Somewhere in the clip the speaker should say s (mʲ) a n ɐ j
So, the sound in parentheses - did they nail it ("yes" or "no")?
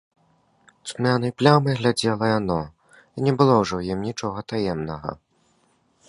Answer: yes